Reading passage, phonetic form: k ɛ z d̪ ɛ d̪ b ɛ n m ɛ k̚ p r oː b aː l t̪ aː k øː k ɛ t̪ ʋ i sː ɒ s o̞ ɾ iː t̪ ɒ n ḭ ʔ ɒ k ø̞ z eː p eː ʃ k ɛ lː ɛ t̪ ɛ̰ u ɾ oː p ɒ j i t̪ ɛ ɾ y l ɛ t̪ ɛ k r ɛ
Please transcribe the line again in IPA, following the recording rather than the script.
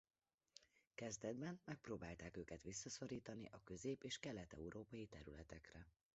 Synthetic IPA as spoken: k ɛ z d̪ ɛ d̪ b ɛ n m ɛ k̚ p r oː b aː l t̪ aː k øː k ɛ t̪ ʋ i sː ɒ s o̞ ɾ iː t̪ ɒ n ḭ ʔ ɒ k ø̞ z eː p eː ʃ k ɛ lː ɛ t̪ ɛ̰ u ɾ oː p ɒ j i t̪ ɛ ɾ y l ɛ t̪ ɛ k r ɛ